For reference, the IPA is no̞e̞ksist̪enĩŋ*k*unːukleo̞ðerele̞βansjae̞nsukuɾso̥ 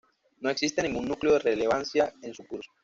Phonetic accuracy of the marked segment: incorrect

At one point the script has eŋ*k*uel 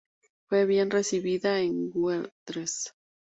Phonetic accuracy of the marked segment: incorrect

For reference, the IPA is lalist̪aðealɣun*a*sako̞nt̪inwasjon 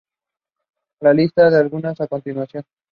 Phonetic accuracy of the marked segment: correct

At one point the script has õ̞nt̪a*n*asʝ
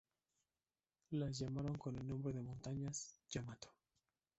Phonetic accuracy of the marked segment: incorrect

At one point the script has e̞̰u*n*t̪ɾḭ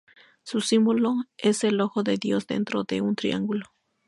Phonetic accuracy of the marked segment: correct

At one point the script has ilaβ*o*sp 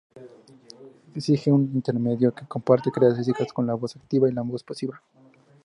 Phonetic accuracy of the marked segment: correct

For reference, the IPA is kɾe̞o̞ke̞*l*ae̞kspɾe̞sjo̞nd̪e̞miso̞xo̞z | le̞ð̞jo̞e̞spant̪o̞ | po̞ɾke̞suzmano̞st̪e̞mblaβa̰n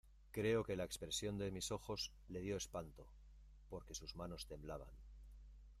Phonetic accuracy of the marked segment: correct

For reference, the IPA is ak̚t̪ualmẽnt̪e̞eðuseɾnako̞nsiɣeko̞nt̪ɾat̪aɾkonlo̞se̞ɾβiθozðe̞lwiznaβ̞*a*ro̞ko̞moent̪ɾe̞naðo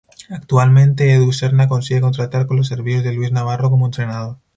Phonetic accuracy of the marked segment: correct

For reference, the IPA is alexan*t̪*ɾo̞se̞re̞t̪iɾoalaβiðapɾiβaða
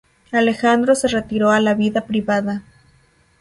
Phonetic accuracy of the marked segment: incorrect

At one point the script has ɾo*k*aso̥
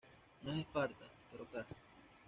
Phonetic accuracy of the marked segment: correct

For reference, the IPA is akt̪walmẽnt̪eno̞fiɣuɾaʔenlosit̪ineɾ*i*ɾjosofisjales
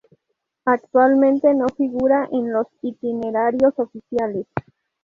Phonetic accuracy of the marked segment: incorrect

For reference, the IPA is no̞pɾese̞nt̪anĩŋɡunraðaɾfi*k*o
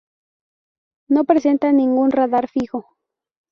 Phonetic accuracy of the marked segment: incorrect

